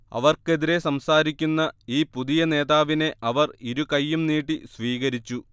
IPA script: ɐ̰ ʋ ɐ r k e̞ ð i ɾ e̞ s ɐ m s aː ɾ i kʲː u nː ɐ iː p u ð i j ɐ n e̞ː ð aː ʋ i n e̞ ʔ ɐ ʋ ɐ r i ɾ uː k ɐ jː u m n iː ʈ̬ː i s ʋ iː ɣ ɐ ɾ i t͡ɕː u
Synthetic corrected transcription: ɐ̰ ʋ ɐ r k e̞ ð i ɾ e̞ s ɐ m s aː ɾ i kʲː u nː ɐ iː p u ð i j ɐ n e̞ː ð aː ʋ i n e̞ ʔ ɐ ʋ ɐ r i ɾ u k ɐ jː u m n iː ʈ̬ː i s ʋ iː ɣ ɐ ɾ i t͡ɕː u

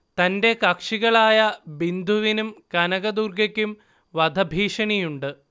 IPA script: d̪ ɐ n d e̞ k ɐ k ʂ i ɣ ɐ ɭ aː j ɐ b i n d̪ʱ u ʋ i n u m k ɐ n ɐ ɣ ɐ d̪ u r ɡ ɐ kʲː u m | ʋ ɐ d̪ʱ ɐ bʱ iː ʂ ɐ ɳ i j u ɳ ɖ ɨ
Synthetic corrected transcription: t̪ ɐ n d e̞ k ɐ k ʂ i ɣ ɐ ɭ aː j ɐ b i n d̪ʱ u ʋ i n u m k ɐ n ɐ ɣ ɐ d̪ u r ɡ ɐ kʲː u m | ʋ ɐ d̪ʱ ɐ bʱ iː ʂ ɐ ɳ i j u ɳ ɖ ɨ

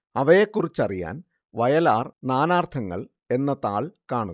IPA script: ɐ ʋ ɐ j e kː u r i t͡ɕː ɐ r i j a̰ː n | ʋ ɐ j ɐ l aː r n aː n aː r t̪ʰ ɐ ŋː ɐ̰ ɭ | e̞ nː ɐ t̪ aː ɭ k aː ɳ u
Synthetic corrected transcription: ɐ ʋ ɐ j e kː u r i t͡ɕː ɐ r i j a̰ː n | ʋ ɐ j ɐ l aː r n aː n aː r t̪ʰ ɐ ŋː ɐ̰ ɭ | e̞ nː ɐ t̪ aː ɭ k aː ɳ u

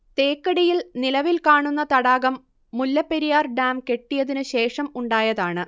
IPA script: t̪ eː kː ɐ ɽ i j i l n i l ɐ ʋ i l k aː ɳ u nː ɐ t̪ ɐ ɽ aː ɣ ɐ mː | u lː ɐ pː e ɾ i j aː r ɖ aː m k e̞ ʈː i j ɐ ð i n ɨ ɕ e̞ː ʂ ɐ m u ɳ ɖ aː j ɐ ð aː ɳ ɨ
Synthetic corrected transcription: t̪ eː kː ɐ ɽ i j i l n i l ɐ ʋ i l k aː ɳ u nː ɐ t̪ ɐ ɽ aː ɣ ɐ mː | u lː ɐ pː e ɾ i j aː r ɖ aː m k e̞ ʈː i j ɐ ð i n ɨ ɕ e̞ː ʂ ɐ m u ɳ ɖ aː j ɐ ð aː ɳ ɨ

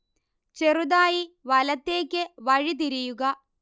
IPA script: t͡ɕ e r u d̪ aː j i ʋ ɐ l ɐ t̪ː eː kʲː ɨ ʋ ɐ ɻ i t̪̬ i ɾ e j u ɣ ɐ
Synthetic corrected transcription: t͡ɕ e r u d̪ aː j i ʋ ɐ l ɐ t̪ː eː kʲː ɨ ʋ ɐ ɻ i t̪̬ i ɾ i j u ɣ ɐ

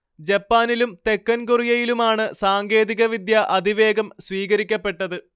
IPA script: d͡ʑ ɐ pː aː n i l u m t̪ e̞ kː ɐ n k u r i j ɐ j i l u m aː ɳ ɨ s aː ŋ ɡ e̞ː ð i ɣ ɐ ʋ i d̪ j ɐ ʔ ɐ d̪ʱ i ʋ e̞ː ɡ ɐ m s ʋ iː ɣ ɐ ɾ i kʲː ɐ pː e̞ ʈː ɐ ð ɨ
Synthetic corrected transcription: d͡ʑ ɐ pː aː n i l u m t̪ e̞ kː ɐ n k u r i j ɐ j i l u m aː ɳ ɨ s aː ŋ ɡ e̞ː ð i ɣ ɐ ʋ i d̪ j ɐ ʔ ɐ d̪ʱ i ʋ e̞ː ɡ ɐ m s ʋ iː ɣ ɐ ɾ i kʲː ɐ pː e̞ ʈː ɐ ð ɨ

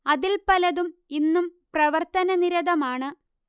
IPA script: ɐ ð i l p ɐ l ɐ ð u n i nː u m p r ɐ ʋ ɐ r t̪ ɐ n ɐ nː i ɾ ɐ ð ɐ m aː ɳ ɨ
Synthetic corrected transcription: ɐ ð i l p ɐ l ɐ ð u m i nː u m p r ɐ ʋ ɐ r t̪ ɐ n ɐ n i ɾ ɐ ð ɐ m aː ɳ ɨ

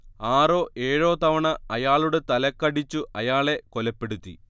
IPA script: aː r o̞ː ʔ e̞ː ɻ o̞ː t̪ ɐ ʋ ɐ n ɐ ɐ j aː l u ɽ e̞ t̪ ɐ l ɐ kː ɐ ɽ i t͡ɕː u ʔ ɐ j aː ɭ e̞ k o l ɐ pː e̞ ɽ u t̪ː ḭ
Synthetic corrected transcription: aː r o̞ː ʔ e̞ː ɻ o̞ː t̪ ɐ ʋ ɐ ɳ ɐ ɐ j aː ɭ u ɽ e̞ t̪ ɐ l ɐ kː ɐ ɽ i t͡ɕː u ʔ ɐ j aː ɭ e̞ k o l ɐ pː e̞ ɽ u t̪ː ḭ

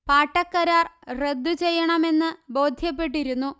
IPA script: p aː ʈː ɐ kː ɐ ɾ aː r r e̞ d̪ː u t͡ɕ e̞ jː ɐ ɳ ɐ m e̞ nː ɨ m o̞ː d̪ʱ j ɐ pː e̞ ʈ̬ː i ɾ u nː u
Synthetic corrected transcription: p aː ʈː ɐ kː ɐ ɾ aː r r e̞ d̪ː u t͡ɕ e̞ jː ɐ ɳ ɐ m e̞ nː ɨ b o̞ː d̪ʱ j ɐ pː e̞ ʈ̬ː i ɾ u nː u

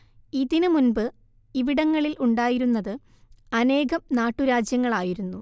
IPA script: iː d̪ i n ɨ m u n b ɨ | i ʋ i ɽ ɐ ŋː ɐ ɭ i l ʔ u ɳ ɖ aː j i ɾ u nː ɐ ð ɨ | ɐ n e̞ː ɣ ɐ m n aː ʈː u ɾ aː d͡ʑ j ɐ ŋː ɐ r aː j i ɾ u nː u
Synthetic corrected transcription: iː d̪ i n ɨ m u n b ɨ | i ʋ i ɽ ɐ ŋː ɐ ɭ i l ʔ u ɳ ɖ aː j i ɾ u nː ɐ ð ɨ | ɐ n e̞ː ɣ ɐ m n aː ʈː u ɾ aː d͡ʑ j ɐ ŋː ɐ ɭ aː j i ɾ u nː u

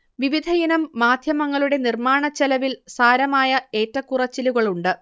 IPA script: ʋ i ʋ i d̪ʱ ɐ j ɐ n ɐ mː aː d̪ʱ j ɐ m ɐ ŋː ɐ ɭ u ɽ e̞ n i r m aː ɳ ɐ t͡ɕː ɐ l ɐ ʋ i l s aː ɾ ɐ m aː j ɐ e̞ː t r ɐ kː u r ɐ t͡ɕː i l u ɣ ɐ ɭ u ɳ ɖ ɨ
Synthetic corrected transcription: ʋ i ʋ i d̪ʱ ɐ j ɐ n ɐ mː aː d̪ʱ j ɐ m ɐ ŋː ɐ ɭ u ɽ e̞ n i r m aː ɳ ɐ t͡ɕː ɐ l ɐ ʋ i l s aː ɾ ɐ m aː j ɐ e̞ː t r ɐ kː u r ɐ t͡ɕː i l u ɣ ɐ ɭ u ɳ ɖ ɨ

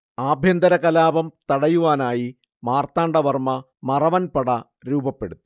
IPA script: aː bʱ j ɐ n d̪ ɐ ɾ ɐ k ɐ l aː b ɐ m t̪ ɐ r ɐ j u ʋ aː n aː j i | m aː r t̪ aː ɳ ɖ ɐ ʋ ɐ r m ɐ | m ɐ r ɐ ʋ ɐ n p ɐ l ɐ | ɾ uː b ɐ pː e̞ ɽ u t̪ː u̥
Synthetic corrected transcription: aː bʱ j ɐ n d̪ ɐ ɾ ɐ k ɐ l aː b ɐ m t̪ ɐ ɽ ɐ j u ʋ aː n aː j i | m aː r t̪ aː ɳ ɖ ɐ ʋ ɐ r m ɐ | m ɐ r ɐ ʋ ɐ n p ɐ ɽ ɐ | ɾ uː b ɐ pː e̞ ɽ u t̪ː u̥

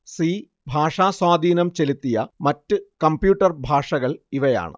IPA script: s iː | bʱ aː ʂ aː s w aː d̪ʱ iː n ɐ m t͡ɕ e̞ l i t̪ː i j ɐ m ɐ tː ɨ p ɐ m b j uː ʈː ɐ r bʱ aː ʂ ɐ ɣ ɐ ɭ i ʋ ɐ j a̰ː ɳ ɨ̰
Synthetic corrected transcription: s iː | bʱ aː ʂ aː s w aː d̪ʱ iː n ɐ m t͡ɕ e̞ l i t̪ː i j ɐ m ɐ tː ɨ k ɐ m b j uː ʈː ɐ r bʱ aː ʂ ɐ ɣ ɐ ɭ i ʋ ɐ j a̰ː ɳ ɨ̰

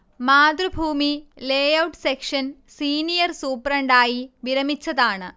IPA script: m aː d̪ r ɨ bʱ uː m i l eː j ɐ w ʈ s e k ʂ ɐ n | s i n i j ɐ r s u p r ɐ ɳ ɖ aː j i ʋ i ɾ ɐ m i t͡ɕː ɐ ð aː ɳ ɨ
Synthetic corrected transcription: m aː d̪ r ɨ bʱ uː m i l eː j ɐ w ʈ s e k ʂ ɐ n | s iː n i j ɐ r s uː p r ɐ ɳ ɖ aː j i ʋ i ɾ ɐ m i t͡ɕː ɐ ð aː ɳ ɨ

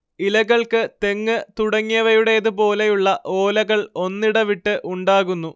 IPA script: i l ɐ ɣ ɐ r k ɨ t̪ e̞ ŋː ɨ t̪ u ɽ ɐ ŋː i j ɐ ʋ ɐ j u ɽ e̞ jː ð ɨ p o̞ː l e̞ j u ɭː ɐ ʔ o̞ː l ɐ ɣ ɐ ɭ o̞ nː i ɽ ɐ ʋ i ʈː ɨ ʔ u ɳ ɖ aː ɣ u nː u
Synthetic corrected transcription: i l ɐ ɣ ɐ ɭ k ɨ t̪ e̞ ŋː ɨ t̪ u ɽ ɐ ŋː i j ɐ ʋ ɐ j u ɽ e̞ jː ð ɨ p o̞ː l e̞ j u ɭː ɐ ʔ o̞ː l ɐ ɣ ɐ ɭ o̞ nː i ɽ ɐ ʋ i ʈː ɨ ʔ u ɳ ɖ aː ɣ u nː u

